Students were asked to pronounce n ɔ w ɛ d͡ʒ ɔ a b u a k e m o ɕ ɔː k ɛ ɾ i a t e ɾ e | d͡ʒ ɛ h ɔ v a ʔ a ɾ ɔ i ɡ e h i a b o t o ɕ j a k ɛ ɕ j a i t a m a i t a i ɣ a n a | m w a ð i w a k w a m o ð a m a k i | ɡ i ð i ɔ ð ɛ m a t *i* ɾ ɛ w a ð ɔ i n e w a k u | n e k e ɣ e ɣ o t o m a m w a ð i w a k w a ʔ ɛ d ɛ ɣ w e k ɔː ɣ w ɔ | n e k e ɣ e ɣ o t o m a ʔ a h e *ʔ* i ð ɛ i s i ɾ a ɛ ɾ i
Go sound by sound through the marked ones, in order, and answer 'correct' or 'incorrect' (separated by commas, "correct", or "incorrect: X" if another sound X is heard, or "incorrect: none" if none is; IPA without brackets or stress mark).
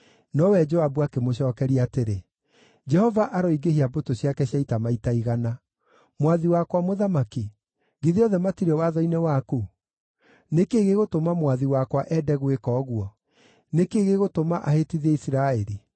correct, incorrect: t